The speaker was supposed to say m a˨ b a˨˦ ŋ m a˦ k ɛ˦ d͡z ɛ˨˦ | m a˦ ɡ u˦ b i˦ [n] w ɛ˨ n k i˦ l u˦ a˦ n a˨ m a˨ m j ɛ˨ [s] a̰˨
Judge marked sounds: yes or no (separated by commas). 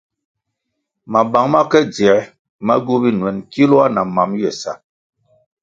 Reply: yes, yes